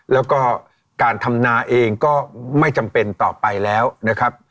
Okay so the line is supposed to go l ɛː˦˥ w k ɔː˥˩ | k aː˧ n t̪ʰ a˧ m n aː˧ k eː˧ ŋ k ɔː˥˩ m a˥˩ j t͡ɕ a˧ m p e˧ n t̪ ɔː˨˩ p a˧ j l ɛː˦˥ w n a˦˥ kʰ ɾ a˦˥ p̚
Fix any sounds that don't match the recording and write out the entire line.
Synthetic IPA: l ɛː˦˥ w k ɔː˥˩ | k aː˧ n t̪ʰ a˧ m n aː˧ ʔ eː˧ ŋ k ɔː˥˩ m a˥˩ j t͡ɕ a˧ m p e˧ n t̪ ɔː˨˩ p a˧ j l ɛː˦˥ w n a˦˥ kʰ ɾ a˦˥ p̚